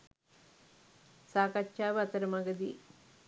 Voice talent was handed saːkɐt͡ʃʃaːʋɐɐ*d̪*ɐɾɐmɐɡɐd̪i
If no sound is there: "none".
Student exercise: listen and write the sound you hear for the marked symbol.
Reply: t̪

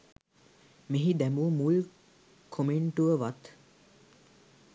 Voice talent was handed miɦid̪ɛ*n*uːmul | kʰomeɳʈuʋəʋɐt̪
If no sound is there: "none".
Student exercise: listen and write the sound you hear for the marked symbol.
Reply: m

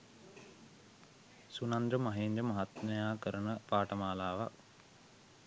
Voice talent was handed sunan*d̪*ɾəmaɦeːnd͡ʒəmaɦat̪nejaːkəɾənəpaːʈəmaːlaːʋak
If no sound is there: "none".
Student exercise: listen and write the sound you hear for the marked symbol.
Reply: d̪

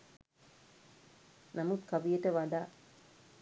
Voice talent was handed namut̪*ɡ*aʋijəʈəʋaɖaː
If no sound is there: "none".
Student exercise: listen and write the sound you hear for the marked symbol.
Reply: k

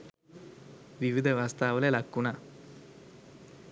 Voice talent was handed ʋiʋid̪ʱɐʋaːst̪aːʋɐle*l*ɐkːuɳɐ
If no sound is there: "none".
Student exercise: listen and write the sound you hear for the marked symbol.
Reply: l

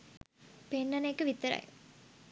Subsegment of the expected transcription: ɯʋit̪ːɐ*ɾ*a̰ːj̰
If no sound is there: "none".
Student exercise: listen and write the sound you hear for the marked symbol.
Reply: ɾ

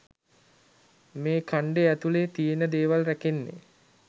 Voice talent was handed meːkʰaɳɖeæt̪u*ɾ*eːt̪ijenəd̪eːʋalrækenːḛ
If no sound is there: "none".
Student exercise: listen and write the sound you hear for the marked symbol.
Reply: l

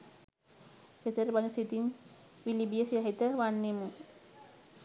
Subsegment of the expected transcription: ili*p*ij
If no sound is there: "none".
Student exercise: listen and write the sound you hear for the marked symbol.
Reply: b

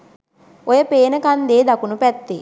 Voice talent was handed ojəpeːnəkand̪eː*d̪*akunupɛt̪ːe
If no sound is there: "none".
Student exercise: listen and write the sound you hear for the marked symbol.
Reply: d̪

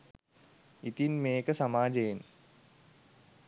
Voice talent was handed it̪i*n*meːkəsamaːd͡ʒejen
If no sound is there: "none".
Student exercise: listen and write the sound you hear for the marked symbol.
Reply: n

